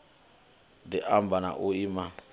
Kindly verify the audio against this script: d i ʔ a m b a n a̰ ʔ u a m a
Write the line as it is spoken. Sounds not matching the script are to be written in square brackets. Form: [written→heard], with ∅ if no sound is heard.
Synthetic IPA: d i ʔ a m b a n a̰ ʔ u [a→i] m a